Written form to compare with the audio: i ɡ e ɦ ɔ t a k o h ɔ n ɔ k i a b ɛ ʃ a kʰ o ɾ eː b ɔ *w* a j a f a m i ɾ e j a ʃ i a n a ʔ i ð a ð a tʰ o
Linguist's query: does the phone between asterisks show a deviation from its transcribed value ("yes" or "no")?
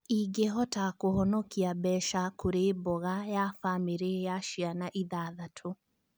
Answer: yes